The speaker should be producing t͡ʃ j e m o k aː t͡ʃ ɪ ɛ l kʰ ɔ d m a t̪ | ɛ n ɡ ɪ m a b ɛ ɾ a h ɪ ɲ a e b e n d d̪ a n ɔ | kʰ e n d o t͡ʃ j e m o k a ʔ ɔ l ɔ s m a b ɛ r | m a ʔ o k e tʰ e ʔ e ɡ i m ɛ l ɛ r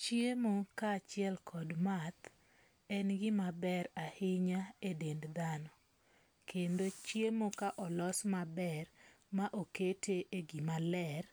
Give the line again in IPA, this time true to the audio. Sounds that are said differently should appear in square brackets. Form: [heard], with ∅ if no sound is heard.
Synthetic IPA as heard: t͡ʃ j e m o k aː t͡ʃ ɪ ɛ l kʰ ɔ d m a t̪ | ɛ n ɡ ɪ m a b ɛ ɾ a h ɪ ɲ a e [d] e n d d̪ a n ɔ | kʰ e n d o t͡ʃ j e m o k a ʔ ɔ l ɔ s m a b ɛ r | m a ʔ o k e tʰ e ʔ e ɡ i m [a] l ɛ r